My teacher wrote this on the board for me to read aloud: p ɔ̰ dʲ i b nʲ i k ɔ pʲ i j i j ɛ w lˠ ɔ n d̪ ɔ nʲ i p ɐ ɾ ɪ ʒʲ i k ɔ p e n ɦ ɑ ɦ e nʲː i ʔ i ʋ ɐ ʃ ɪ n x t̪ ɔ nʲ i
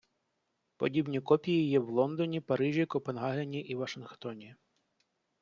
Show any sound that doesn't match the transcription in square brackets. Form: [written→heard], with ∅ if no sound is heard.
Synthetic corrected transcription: p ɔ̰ dʲ i b nʲ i k ɔ pʲ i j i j ɛ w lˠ ɔ n d̪ ɔ nʲ i p ɐ ɾ ɪ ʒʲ i k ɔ p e n ɦ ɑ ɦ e [nʲː→nʲ] i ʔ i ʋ ɐ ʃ ɪ n x t̪ ɔ nʲ i